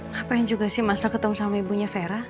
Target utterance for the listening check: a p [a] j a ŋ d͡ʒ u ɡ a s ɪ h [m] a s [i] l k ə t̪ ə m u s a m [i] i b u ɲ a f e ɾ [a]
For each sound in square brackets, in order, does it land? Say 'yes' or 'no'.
yes, yes, no, no, yes

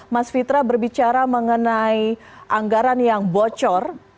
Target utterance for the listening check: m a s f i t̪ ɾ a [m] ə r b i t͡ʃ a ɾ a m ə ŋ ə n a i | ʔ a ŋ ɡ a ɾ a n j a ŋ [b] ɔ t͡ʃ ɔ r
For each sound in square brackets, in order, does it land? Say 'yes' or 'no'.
no, yes

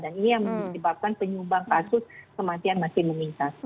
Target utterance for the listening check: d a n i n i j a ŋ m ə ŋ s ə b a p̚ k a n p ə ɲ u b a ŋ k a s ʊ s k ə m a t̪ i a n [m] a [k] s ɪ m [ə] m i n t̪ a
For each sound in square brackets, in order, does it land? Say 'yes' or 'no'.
yes, no, yes

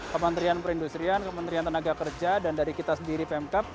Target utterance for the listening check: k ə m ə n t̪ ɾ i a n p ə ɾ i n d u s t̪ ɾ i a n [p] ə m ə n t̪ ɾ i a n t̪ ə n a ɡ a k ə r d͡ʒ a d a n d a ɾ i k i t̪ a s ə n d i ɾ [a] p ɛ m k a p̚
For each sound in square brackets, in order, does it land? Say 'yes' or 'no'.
no, no

